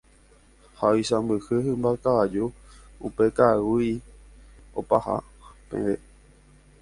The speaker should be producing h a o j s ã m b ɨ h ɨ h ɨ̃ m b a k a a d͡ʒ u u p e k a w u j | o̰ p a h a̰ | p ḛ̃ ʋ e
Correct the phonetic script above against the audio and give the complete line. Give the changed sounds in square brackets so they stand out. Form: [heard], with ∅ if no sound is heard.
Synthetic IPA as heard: h a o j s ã m b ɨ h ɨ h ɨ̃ m b a k a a d͡ʒ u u p e k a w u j | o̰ p a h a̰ | p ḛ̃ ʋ e

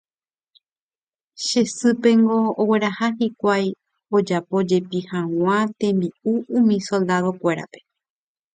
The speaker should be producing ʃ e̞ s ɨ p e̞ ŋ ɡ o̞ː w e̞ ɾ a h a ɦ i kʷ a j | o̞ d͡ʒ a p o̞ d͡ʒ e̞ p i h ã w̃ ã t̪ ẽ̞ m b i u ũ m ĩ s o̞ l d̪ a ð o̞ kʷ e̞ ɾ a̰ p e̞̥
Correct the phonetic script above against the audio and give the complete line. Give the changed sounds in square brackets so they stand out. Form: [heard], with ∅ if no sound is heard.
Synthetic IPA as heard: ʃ e̞ s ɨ p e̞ ŋ ɡ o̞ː w e̞ ɾ a h a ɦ i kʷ a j | o̞ d͡ʒ a p o̞ d͡ʒ e̞ p i h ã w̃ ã t̪ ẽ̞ m b i u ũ m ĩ s o̞ l d̪ a ð o̞ kʷ e̞ ɾ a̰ p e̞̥

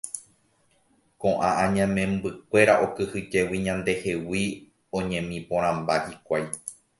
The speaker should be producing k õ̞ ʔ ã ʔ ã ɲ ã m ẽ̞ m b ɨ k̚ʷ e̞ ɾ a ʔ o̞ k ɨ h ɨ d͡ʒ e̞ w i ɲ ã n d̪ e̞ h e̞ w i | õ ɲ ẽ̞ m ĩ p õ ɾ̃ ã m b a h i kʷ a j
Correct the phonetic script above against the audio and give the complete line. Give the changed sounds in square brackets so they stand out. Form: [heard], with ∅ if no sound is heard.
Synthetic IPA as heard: k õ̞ ʔ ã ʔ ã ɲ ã m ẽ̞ m b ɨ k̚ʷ e̞ ɾ a ʔ o̞ k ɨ h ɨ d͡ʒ e̞ w i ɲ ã n d̪ e̞ h e̞ w i | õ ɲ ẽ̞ m ĩ p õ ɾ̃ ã m b a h i kʷ a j

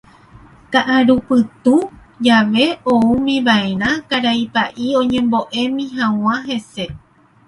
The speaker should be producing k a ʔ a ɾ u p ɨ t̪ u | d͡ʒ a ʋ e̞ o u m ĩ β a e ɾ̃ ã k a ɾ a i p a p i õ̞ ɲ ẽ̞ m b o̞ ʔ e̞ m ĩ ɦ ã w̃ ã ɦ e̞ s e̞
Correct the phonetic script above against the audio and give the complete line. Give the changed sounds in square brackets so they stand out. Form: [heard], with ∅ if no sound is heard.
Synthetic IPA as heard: k a ʔ a ɾ u p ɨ t̪ u | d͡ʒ a ʋ e̞ o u m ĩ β a e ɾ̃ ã k a ɾ a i p a [ʔ] i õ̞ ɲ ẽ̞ m b o̞ ʔ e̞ m ĩ ɦ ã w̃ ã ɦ e̞ s e̞

